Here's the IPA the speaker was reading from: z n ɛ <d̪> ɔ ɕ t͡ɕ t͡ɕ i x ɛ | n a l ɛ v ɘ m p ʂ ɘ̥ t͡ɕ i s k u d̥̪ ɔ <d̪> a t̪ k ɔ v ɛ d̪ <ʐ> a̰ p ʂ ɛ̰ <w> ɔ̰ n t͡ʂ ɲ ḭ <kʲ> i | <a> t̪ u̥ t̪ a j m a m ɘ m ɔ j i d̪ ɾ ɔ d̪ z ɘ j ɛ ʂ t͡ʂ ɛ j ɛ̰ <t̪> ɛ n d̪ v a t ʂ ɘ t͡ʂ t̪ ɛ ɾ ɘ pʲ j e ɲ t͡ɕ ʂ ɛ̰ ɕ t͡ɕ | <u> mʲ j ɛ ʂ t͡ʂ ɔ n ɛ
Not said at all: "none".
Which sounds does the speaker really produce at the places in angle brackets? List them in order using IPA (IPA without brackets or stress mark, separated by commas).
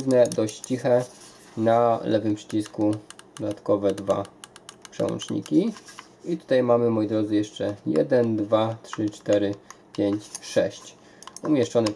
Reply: d̪, d̪, v, w, kʲ, i, d̪, u